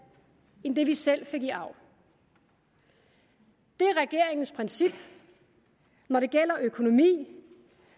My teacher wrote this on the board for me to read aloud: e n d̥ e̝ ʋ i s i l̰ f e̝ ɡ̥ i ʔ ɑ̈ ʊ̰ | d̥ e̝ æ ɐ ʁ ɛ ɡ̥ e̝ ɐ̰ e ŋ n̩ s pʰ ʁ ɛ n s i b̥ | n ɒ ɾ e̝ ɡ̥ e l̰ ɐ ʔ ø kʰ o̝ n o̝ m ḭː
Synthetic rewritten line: e n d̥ e̝ ʋ i s e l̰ f e̝ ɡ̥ i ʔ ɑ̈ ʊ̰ | d̥ e̝ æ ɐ ʁ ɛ ɡ̥ e̝ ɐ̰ e ŋ n̩ s pʰ ʁ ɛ n s i b̥ | n ɒ ɾ e̝ ɡ̥ e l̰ ɐ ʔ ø kʰ o̝ n o̝ m ḭː